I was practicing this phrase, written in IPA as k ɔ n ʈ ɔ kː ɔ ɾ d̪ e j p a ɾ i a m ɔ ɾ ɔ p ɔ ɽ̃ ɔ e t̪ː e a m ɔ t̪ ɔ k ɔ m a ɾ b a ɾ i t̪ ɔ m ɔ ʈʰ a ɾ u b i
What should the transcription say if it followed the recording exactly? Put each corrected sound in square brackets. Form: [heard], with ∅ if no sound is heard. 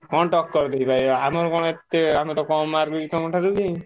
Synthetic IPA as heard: k ɔ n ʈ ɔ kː ɔ ɾ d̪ e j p a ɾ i a m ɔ ɾ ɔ [k] ɔ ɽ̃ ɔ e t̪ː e a m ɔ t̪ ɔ k ɔ m a ɾ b [i] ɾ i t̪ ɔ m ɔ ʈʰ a ɾ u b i